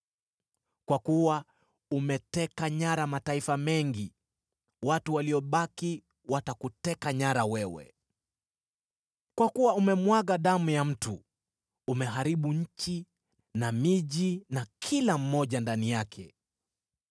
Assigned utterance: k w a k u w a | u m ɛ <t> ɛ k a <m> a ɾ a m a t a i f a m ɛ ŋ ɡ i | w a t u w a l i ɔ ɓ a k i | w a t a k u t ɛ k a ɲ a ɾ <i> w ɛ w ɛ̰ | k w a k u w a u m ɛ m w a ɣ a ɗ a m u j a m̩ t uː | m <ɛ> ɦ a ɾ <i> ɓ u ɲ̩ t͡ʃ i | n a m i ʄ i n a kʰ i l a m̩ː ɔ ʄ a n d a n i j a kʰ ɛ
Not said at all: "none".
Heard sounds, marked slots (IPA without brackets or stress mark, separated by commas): t, ɲ, a, ɛ, i